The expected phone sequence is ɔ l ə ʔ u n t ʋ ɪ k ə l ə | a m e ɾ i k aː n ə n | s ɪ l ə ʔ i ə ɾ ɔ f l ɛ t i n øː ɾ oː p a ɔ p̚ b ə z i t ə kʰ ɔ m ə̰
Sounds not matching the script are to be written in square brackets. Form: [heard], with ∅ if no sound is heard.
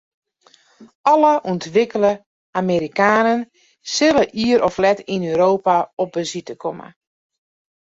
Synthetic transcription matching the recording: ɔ l ə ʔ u n t ʋ ɪ k ə l ə | a m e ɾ i k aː n ə n | s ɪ l ə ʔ i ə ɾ ɔ f l ɛ t i n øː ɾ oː p a ɔ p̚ b ə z i t ə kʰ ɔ m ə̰